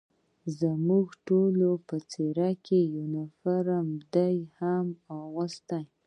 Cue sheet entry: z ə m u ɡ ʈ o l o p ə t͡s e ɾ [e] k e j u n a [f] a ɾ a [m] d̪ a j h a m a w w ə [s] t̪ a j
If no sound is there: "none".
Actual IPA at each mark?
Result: a, f, m, s

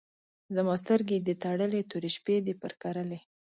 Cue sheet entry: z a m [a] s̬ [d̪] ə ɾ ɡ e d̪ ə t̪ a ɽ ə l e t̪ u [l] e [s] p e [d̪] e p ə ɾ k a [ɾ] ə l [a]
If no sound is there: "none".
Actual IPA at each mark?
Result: ɑ, t̪, ɾ, ʃ, d̪, ɾ, e

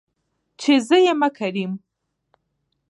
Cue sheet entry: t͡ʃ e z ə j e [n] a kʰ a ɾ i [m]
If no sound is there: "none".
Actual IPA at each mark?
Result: m, m

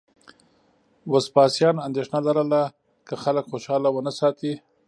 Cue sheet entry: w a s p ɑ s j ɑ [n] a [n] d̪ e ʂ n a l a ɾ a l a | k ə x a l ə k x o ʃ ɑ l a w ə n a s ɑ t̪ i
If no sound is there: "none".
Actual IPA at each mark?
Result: n, n

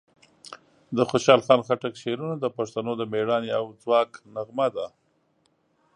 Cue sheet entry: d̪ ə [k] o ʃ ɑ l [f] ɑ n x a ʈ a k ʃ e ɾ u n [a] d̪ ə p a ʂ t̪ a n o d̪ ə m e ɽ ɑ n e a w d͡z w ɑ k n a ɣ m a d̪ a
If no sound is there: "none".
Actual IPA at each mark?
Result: x, x, a

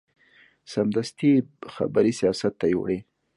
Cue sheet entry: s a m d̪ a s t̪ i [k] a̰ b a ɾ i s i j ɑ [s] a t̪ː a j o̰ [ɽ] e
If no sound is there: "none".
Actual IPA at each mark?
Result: x, s, ɽ

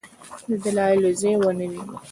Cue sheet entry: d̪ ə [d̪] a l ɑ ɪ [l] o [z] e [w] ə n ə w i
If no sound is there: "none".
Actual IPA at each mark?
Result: d̪, l, z, w

